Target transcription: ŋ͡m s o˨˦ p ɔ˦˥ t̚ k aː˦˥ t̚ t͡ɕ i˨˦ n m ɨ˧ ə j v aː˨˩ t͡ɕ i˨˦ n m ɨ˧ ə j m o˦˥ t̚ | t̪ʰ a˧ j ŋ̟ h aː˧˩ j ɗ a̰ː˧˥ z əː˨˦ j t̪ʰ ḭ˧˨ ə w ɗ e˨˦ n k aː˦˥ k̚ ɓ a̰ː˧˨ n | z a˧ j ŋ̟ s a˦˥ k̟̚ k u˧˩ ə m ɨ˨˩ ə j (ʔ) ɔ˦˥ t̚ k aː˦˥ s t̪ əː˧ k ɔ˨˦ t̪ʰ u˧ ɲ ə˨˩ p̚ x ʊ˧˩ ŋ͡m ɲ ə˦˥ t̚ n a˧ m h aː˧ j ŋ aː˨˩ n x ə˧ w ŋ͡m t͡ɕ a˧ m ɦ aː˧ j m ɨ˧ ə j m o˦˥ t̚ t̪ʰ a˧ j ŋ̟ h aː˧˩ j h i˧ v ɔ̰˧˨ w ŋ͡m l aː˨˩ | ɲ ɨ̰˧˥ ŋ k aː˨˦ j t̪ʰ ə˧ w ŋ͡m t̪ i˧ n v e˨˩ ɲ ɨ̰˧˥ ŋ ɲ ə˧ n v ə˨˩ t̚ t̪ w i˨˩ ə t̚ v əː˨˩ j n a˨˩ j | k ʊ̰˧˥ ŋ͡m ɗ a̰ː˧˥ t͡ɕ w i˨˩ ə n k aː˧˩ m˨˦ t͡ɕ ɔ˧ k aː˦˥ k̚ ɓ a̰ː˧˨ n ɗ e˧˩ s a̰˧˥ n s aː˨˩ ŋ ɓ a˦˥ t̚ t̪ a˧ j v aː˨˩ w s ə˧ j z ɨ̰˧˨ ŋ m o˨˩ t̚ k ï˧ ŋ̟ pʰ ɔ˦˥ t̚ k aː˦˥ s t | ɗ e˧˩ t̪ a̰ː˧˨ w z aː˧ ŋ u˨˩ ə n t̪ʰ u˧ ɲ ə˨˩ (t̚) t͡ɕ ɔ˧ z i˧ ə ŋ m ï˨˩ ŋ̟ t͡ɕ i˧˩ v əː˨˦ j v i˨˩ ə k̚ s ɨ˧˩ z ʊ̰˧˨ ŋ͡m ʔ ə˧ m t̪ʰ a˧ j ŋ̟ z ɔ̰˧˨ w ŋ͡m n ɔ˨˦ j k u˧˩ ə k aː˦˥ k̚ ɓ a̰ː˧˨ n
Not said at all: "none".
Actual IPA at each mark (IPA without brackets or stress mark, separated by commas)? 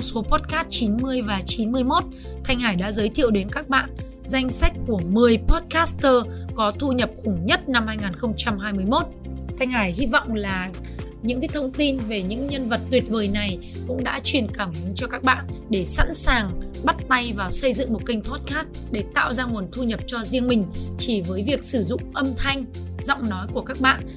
p, p̚